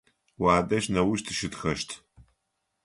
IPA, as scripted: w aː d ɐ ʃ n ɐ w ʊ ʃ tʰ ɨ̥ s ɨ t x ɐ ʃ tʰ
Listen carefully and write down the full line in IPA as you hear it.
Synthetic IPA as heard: w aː d ɐ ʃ n ɐ w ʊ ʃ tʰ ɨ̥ ʃ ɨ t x ɐ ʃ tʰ